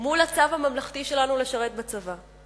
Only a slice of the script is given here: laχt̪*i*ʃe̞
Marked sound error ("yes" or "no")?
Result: no